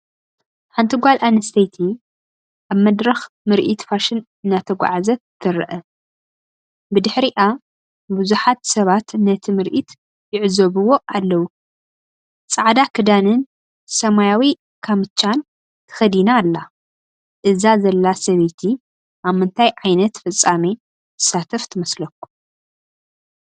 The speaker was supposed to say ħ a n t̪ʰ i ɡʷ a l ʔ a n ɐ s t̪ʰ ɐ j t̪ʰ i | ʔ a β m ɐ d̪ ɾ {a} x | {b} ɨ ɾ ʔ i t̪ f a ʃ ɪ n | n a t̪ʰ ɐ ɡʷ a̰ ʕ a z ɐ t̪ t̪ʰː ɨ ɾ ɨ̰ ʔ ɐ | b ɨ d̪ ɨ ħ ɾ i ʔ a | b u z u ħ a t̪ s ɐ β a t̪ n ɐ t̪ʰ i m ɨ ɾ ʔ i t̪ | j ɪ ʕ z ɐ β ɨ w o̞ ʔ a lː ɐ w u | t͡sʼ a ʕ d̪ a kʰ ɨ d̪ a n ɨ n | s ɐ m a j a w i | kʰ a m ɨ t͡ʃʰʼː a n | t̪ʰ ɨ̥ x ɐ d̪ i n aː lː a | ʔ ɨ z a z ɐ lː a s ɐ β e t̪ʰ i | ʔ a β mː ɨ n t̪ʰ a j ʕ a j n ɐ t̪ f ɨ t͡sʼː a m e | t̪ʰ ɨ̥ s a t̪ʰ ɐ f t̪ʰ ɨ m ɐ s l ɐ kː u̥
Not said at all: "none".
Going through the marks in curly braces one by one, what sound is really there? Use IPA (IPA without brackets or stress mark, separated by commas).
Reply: ɐ, m